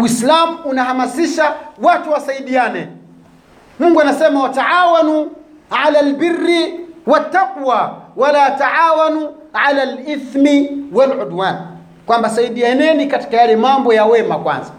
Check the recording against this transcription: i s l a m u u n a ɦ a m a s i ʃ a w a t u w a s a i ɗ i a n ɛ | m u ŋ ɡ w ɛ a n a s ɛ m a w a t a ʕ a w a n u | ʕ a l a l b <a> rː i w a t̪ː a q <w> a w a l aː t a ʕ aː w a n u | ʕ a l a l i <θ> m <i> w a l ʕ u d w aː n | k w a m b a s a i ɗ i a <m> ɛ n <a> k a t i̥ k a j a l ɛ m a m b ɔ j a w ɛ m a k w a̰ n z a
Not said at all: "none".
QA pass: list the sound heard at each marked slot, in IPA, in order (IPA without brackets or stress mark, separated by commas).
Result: i, w, θ, i, n, i